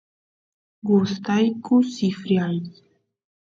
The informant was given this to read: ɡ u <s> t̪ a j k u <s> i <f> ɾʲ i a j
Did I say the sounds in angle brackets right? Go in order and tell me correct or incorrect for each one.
correct, correct, correct

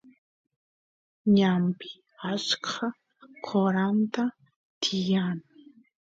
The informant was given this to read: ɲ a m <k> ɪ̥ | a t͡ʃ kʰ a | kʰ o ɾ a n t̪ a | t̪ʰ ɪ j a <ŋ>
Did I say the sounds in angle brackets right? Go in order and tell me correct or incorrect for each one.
incorrect, incorrect

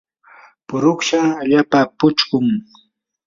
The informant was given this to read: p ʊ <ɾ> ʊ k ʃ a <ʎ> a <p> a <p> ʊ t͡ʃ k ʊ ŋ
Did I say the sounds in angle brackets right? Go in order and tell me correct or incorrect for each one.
correct, correct, correct, correct

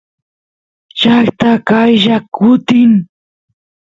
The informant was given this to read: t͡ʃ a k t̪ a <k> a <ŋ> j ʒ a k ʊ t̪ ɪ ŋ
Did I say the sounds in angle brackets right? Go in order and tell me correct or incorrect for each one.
correct, incorrect

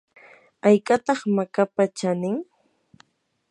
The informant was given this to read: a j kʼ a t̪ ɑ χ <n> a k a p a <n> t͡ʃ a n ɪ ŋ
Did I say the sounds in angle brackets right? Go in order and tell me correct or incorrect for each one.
incorrect, incorrect

